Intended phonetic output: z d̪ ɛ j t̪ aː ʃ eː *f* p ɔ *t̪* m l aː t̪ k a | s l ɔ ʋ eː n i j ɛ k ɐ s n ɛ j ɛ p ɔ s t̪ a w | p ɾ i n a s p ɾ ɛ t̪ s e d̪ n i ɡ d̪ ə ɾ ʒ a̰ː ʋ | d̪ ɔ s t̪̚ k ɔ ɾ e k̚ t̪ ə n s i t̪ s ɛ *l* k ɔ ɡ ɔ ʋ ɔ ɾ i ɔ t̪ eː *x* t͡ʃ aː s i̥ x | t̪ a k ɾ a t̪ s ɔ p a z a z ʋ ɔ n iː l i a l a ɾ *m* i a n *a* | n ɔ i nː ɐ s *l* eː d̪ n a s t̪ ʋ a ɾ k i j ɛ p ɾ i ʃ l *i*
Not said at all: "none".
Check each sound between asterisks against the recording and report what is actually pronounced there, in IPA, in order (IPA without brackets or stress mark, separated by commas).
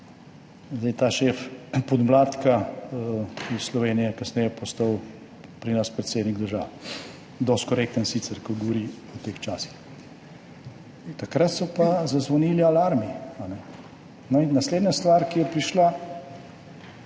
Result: f, d̪, ɾ, x, m, ɛ, l, a